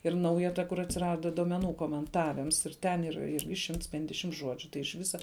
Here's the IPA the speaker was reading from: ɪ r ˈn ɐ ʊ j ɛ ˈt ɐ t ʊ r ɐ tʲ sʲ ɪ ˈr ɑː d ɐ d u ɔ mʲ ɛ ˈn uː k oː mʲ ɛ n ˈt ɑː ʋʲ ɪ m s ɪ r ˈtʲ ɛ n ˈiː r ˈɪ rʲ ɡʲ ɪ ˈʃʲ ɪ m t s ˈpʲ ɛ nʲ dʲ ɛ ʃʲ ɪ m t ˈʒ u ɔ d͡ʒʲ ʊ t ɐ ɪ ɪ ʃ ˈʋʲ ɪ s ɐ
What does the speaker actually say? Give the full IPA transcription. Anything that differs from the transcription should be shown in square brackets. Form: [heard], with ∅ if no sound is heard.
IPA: ɪ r ˈn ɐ ʊ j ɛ ˈt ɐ [k] ʊ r ɐ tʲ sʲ ɪ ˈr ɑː d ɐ d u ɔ mʲ ɛ ˈn uː k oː mʲ ɛ n ˈt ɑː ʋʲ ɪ m s ɪ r ˈtʲ ɛ n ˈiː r ˈɪ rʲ ɡʲ ɪ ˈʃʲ ɪ m t s ˈpʲ ɛ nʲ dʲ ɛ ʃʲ ɪ m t ˈʒ u ɔ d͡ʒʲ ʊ t ɐ ɪ ɪ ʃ ˈʋʲ ɪ s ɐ